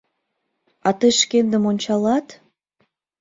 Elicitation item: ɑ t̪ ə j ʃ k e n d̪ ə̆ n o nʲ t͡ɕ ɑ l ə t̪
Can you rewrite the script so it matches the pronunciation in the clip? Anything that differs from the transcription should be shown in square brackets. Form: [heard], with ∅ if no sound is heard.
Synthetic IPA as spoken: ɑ t̪ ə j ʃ k e n d̪ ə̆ [m] o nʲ t͡ɕ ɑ l [ɑ] t̪